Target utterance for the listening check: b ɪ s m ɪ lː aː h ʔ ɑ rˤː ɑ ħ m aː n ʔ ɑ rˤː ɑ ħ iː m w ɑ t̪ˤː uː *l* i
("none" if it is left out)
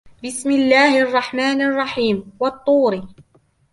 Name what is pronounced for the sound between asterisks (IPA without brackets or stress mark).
ɾ